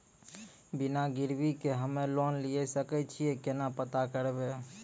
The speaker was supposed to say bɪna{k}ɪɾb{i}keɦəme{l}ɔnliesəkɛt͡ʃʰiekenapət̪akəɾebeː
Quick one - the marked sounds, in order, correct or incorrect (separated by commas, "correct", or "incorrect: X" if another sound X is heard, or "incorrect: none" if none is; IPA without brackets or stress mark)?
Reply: incorrect: ɡ, correct, correct